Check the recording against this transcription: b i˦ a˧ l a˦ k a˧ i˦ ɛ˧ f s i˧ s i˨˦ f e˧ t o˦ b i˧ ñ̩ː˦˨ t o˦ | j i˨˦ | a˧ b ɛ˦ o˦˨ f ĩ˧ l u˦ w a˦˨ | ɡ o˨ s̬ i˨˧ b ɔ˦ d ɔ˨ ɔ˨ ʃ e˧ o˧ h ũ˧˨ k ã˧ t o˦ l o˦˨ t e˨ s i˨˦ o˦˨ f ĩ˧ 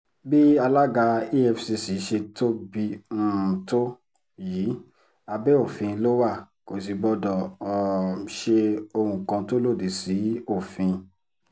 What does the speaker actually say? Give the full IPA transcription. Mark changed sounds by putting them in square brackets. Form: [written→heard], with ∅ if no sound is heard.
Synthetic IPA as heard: b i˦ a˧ l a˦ [k→ɡ] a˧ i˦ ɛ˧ f s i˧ s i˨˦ [f→ʃ] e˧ t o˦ b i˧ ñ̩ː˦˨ t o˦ | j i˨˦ | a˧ b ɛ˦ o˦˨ f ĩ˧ l [u˦→o˦] w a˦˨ | [ɡ→k] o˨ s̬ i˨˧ b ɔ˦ d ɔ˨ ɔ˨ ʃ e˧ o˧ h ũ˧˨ k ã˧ t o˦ l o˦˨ [t→d] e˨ s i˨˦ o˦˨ f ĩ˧